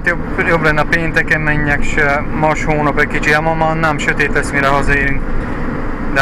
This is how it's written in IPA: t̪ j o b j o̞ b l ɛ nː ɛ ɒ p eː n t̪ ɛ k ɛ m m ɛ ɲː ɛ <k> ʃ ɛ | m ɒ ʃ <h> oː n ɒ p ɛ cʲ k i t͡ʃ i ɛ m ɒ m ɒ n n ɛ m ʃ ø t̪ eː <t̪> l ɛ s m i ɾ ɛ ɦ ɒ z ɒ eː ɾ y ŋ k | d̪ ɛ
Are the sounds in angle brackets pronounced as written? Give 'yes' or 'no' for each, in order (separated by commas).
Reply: yes, yes, yes